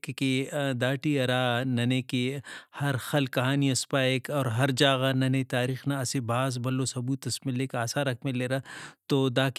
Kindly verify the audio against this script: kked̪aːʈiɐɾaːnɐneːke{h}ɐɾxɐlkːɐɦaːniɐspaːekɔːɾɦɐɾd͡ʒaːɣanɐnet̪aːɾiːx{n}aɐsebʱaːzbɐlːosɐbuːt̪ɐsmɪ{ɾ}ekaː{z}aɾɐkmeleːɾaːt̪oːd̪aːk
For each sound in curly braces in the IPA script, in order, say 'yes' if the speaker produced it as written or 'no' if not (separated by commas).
yes, yes, no, no